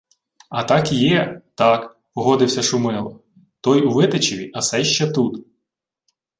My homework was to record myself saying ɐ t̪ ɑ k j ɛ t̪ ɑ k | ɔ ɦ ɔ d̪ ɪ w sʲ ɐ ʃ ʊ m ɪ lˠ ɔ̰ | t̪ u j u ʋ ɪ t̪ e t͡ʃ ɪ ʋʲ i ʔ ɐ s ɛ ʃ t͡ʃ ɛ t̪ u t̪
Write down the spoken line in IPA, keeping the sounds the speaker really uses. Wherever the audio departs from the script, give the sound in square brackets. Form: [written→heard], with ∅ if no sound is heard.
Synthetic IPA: ɐ t̪ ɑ k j ɛ t̪ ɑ k | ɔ ɦ ɔ d̪ ɪ w sʲ ɐ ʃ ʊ m ɪ lˠ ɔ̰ | t̪ [u→ɔ] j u ʋ ɪ t̪ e t͡ʃ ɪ ʋʲ i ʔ ɐ s ɛ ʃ t͡ʃ ɛ t̪ u t̪